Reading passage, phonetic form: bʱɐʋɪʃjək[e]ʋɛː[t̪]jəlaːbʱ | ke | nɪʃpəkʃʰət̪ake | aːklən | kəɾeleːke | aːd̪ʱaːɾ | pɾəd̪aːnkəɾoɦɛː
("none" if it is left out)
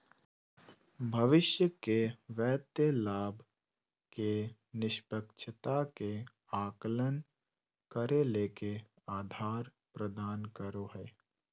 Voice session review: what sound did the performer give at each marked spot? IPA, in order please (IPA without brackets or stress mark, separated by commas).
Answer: e, t̪